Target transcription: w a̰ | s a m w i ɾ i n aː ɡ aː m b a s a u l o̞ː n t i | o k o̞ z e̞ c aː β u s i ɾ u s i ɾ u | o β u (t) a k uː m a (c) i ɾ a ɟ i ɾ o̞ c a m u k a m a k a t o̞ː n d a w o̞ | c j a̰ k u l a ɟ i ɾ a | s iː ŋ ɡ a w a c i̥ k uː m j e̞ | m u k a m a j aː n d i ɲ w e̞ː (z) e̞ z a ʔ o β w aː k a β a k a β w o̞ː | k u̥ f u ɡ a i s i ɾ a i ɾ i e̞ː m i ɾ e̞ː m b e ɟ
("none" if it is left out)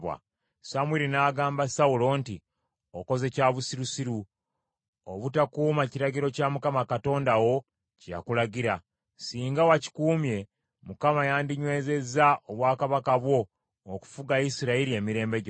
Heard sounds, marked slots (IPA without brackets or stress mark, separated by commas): t, c, z